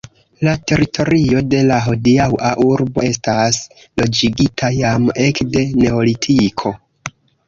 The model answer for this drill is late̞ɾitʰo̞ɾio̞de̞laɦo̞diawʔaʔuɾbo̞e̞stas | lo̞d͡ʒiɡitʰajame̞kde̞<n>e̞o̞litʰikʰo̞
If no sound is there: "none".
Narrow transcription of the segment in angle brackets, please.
n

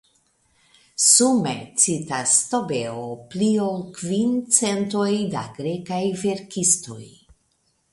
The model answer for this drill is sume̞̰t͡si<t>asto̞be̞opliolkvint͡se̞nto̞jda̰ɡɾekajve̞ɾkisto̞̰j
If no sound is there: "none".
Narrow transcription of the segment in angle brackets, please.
t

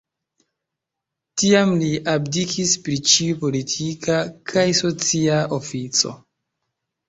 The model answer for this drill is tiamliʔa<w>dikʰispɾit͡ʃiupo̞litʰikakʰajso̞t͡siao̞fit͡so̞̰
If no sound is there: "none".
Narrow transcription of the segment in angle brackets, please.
b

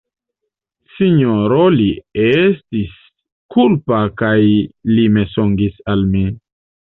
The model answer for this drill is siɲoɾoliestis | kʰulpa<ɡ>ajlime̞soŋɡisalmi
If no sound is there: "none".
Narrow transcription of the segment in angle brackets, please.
k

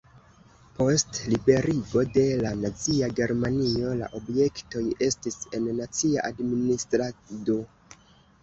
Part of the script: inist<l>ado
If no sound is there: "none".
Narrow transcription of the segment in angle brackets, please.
ɾ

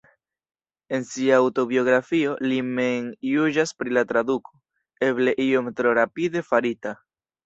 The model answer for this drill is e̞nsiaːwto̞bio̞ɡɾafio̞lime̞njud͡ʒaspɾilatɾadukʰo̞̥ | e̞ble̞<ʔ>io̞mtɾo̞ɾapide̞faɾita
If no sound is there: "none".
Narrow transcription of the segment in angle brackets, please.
ʔ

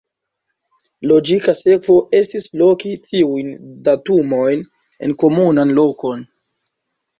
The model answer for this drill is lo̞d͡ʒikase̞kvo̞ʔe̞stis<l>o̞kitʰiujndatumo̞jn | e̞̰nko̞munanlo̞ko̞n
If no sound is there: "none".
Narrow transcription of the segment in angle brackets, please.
l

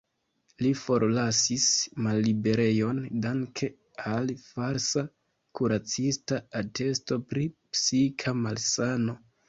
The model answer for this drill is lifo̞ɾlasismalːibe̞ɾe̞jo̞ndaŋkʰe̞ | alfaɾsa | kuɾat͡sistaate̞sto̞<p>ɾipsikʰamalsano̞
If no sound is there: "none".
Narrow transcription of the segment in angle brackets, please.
p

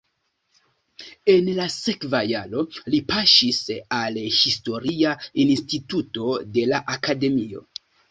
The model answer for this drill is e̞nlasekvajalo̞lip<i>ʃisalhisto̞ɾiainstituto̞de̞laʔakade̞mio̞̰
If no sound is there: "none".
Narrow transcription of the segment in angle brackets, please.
a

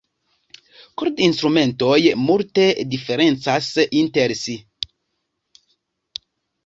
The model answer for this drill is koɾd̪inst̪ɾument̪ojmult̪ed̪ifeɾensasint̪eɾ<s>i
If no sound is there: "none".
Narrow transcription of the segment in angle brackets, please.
s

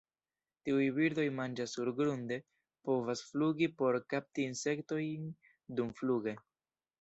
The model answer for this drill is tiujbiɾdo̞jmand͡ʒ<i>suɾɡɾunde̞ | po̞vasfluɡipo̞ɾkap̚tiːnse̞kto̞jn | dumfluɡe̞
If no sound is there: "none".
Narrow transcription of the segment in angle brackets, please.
a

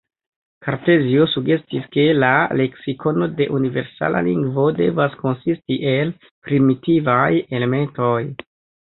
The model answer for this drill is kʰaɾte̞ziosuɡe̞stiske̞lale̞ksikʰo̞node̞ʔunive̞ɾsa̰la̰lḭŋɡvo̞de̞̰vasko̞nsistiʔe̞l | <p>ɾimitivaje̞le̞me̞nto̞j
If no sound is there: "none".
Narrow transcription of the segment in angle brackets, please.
p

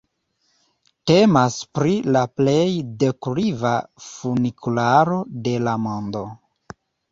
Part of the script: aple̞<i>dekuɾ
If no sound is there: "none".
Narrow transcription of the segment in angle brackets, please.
j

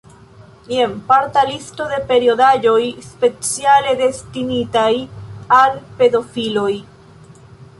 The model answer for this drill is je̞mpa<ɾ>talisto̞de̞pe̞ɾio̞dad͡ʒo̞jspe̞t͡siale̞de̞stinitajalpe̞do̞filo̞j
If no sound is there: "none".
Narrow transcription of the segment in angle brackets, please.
ɾ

